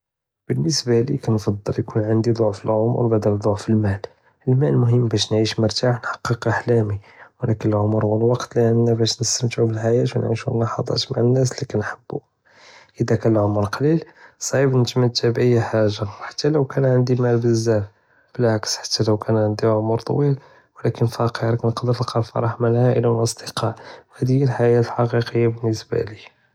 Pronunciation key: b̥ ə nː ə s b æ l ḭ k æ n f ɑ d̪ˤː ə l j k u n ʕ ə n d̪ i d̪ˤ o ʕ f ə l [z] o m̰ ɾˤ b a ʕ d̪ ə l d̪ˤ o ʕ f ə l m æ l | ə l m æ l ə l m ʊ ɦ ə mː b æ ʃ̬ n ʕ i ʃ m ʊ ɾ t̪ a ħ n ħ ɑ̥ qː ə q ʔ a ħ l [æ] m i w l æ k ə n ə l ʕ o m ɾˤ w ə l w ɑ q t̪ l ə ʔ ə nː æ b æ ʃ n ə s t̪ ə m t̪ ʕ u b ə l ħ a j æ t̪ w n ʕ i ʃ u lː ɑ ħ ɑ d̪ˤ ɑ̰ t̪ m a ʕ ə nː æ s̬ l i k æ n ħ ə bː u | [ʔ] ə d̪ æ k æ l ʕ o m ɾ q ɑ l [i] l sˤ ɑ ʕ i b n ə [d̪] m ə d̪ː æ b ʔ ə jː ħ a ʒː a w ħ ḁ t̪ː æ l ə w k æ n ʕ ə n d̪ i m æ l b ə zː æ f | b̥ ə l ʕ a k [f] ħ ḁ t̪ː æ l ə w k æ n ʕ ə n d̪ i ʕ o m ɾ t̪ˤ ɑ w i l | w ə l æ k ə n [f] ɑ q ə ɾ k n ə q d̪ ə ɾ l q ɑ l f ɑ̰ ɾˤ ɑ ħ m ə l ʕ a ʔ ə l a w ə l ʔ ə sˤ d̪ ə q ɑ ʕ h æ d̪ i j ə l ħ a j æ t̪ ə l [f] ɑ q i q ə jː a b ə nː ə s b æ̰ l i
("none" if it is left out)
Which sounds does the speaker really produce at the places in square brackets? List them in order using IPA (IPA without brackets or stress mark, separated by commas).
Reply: ʕ, æ, ʔ, i, t̪, s, f, ħ